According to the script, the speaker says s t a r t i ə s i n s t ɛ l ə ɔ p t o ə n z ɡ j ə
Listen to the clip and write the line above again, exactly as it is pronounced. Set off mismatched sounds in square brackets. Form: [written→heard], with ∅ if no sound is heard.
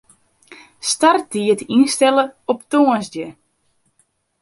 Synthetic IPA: s t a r t i ə [s→t] i n s t ɛ l ə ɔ p t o ə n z [ɡ→d] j ə